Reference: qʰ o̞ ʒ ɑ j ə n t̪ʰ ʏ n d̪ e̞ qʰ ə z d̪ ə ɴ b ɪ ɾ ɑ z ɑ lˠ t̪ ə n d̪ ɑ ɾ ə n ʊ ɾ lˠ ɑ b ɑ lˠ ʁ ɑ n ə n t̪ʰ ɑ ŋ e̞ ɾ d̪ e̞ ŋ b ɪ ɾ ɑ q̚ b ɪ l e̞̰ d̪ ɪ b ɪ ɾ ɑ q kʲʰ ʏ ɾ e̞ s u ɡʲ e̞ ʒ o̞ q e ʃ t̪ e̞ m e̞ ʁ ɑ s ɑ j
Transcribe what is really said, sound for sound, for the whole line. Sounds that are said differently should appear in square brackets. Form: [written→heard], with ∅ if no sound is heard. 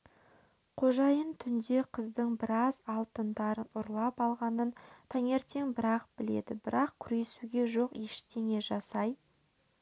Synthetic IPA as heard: qʰ o̞ ʒ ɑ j ə n t̪ʰ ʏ n d̪ e̞ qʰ ə z d̪ ə ɴ b ɪ ɾ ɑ z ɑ lˠ t̪ ə n d̪ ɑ ɾ ə n ʊ ɾ lˠ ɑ [b→p] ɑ lˠ ʁ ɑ n ə n t̪ʰ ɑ ŋ e̞ ɾ [d̪→t̪] e̞ ŋ b ɪ ɾ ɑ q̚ b ɪ l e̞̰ d̪ ɪ b ɪ ɾ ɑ q kʲʰ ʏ ɾ e̞ s u ɡʲ e̞ ʒ o̞ q e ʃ t̪ e̞ [m→ŋ] e̞ [ʁ→ʒ] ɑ s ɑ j